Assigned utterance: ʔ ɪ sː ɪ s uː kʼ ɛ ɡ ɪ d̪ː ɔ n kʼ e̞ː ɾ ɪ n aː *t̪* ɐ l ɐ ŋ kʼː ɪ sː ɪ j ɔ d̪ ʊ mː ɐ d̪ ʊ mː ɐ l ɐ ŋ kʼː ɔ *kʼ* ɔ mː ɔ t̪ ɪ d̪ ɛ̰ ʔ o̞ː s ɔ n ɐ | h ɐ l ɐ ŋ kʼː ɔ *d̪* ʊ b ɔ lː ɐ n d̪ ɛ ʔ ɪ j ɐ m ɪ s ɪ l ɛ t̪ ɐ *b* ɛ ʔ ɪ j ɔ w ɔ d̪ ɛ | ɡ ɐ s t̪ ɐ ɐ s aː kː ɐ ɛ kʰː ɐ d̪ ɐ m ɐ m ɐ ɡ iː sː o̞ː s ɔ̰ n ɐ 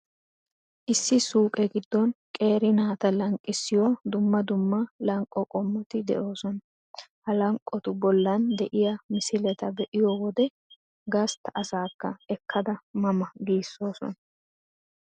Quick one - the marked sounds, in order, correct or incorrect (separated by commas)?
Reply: correct, correct, incorrect, correct